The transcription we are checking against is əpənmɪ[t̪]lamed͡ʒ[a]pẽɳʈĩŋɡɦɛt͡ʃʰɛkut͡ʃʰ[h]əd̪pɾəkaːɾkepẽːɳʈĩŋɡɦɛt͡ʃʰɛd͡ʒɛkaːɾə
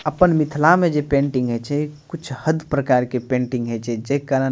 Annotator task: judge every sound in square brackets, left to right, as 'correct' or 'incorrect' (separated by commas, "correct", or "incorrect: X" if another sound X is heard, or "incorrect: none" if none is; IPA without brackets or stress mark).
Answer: incorrect: t̪ʰ, incorrect: e, correct